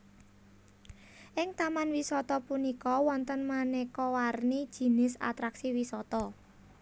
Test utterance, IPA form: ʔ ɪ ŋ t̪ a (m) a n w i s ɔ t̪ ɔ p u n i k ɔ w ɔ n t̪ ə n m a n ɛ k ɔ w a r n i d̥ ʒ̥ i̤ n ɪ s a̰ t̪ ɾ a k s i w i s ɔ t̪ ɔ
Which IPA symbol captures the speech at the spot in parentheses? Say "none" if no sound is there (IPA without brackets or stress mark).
m